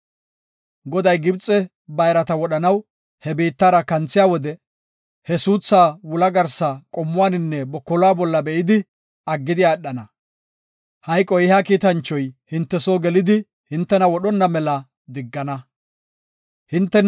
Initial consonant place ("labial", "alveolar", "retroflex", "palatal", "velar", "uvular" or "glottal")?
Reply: velar